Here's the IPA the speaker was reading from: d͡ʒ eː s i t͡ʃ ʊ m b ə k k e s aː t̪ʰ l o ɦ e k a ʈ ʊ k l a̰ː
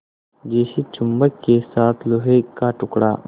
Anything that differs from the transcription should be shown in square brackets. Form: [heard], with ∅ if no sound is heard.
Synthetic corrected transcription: d͡ʒ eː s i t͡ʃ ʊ m b ə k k e s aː t̪ʰ l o ɦ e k a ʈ ʊ k [ɽ] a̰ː